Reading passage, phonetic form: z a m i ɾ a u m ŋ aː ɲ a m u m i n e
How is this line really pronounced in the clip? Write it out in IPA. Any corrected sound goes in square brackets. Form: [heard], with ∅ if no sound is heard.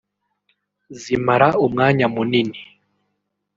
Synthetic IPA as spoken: z [i] m [a] ɾ a u m ŋ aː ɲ a m u [n] i n [i]